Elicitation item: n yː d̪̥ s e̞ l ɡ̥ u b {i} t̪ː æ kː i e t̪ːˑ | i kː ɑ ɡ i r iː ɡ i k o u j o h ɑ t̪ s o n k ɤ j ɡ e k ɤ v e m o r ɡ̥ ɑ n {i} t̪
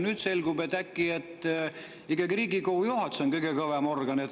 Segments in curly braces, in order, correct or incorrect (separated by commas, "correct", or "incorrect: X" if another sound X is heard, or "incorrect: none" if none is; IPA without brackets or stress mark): incorrect: e, incorrect: e